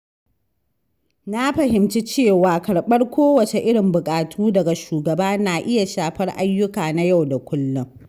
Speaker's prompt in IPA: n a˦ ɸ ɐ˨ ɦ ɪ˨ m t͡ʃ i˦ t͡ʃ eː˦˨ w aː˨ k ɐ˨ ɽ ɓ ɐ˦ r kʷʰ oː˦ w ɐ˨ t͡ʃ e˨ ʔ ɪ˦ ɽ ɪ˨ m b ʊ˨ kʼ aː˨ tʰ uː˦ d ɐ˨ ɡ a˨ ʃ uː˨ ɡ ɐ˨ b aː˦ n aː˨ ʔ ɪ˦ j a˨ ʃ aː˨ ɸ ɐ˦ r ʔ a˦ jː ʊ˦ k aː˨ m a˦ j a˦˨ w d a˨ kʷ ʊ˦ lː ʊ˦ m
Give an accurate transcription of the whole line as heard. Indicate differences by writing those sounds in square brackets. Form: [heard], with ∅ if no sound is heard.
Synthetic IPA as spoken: n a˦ ɸ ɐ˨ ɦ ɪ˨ m t͡ʃ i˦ t͡ʃ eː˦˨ w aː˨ k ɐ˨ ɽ ɓ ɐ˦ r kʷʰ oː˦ w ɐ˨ t͡ʃ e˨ ʔ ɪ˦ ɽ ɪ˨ m b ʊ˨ kʼ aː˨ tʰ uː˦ d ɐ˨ ɡ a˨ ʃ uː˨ ɡ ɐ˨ b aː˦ n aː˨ ʔ ɪ˦ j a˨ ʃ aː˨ ɸ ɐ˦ r ʔ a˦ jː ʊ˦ k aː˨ [n] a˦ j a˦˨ w d a˨ kʷ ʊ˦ lː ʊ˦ [ŋ]